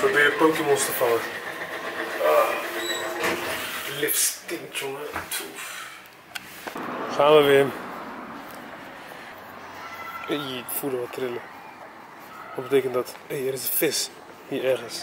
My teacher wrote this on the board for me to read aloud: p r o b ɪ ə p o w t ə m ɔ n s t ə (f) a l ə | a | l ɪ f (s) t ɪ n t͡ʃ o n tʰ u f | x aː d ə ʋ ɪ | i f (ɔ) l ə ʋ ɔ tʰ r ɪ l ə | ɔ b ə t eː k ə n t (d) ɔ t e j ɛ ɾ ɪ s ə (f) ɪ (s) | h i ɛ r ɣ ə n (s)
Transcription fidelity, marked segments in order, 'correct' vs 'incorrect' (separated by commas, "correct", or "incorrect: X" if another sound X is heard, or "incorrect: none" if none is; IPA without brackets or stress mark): correct, correct, incorrect: u, correct, correct, correct, correct